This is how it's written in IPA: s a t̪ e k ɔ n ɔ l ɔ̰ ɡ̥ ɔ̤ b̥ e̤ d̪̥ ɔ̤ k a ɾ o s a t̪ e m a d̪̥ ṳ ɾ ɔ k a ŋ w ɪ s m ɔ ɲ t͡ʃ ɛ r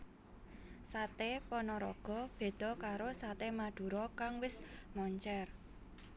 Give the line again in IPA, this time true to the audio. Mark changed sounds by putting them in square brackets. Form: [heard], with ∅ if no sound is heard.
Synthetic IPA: s a t̪ e [p] ɔ n ɔ [ɾ] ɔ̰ ɡ̥ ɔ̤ b̥ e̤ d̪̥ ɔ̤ k a ɾ o s a t̪ e m a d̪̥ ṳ ɾ ɔ k a ŋ w ɪ s m ɔ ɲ t͡ʃ ɛ r